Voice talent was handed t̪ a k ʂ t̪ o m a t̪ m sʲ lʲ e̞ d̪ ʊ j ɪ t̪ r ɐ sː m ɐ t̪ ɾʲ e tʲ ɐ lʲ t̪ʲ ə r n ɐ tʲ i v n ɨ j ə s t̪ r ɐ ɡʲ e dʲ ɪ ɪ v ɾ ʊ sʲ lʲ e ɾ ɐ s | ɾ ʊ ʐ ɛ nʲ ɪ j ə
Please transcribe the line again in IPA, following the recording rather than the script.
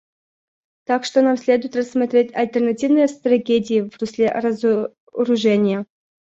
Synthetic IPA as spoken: t̪ a k ʂ t̪ o n a m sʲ lʲ e̞ d̪ ʊ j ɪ t̪ r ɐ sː m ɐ t̪ ɾʲ e tʲ ɐ lʲ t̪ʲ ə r n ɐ tʲ i v n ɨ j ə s t̪ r ɐ ɡʲ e dʲ ɪ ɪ v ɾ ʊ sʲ lʲ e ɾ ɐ z | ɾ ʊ ʐ ɛ nʲ ɪ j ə